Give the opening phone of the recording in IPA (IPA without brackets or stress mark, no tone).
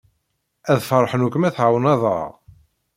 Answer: æ